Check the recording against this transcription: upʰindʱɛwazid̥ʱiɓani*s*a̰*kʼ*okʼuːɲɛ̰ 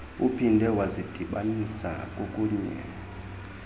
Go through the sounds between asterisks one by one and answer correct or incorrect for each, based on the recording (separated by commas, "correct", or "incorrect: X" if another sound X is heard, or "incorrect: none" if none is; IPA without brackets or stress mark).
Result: correct, correct